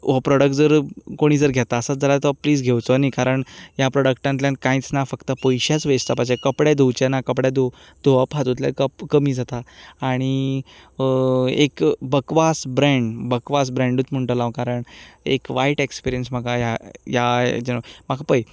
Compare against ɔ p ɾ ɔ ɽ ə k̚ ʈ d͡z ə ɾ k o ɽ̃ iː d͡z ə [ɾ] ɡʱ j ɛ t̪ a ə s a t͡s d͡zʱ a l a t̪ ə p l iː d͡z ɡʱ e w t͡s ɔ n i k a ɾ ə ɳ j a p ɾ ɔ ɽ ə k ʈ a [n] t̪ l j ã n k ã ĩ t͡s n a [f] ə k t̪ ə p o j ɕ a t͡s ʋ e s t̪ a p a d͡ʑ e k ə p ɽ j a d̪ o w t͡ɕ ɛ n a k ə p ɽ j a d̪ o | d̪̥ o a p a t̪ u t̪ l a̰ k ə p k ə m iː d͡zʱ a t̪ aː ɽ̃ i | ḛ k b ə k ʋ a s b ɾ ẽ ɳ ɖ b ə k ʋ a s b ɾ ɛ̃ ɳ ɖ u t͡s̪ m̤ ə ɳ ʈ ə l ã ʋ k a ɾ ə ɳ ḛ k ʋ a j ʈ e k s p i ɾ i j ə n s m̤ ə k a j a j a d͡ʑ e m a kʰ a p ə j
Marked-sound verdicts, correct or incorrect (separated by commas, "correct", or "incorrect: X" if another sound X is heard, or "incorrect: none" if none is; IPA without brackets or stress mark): correct, correct, correct